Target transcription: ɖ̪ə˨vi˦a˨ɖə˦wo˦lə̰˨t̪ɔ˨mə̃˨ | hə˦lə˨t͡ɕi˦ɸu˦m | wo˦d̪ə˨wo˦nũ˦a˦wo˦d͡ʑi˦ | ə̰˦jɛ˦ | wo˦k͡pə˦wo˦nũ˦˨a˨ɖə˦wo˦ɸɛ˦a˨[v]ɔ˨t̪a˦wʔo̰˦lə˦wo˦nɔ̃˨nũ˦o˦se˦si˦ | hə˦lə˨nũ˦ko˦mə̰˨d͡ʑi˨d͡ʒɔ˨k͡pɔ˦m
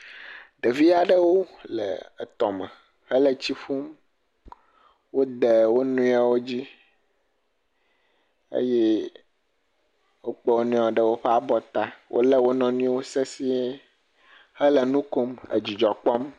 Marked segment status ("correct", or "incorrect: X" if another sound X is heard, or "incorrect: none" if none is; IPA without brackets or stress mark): incorrect: b